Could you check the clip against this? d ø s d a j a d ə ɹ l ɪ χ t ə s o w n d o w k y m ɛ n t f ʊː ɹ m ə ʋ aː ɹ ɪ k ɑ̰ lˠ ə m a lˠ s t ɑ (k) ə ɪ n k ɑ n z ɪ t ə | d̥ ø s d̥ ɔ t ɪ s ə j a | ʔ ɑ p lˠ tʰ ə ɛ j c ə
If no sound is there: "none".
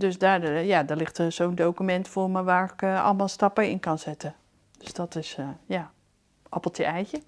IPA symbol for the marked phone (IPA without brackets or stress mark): p